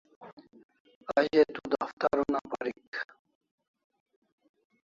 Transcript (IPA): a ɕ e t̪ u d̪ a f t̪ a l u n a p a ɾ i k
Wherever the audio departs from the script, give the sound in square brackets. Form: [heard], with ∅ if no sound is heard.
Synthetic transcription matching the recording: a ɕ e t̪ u d̪ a f t̪ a [ɾ] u n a p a ɾ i k